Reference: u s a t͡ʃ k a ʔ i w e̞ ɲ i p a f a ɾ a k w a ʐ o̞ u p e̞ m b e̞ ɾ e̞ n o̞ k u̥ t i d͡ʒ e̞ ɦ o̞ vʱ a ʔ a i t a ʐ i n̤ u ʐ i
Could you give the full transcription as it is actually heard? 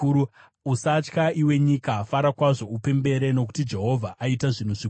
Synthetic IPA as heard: u s a t͡ʃ k a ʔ i w e̞ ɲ i k a f a ɾ a k w a ʐ o̞ u p e̞ m b e̞ ɾ e̞ n o̞ k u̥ t i d͡ʒ e̞ ɦ o̞ vʱ a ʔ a i t a ʐ i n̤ u ʐ i